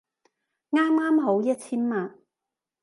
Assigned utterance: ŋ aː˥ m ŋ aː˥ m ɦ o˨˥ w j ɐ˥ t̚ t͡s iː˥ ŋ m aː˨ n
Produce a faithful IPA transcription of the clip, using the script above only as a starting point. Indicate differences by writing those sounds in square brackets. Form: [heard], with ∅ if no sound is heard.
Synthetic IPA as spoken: ŋ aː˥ m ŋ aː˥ m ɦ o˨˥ w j ɐ˥ t̚ [t͡sʰ] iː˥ [n] m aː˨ n